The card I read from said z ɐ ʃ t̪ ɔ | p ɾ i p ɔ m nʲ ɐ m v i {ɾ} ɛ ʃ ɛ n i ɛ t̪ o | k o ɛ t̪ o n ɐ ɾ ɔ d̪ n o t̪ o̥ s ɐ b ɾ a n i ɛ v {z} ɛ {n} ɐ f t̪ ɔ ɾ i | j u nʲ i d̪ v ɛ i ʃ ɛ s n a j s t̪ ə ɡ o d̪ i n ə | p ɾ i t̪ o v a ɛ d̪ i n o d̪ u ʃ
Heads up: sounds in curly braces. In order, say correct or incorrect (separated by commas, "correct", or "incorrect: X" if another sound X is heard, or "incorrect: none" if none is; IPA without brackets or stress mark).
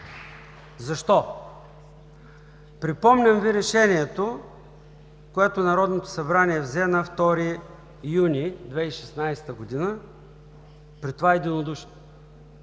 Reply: correct, correct, correct